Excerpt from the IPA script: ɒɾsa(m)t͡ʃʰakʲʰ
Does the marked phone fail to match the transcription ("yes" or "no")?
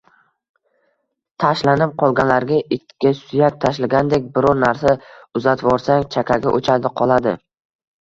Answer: yes